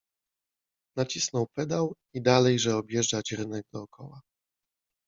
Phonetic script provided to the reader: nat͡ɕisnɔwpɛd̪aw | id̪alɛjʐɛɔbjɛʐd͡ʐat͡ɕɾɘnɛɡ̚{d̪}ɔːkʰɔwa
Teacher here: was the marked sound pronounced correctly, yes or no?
yes